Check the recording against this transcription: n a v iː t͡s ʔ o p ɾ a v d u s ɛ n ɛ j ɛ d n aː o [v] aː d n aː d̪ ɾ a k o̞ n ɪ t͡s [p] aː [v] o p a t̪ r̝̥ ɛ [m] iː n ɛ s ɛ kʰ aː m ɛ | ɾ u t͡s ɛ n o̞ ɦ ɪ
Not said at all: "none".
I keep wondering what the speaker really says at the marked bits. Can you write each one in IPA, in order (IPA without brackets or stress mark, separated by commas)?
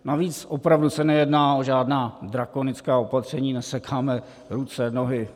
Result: ʒ, k, none, ɲ